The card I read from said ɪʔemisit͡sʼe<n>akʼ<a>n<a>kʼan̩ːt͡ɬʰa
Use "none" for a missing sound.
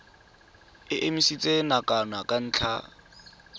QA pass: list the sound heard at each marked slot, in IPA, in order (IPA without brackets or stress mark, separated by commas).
n, a, a